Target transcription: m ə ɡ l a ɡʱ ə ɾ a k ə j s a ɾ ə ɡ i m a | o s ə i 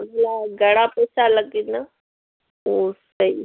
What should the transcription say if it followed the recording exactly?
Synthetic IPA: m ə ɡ l a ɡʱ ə ɽ a p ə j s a l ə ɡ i n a | o s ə i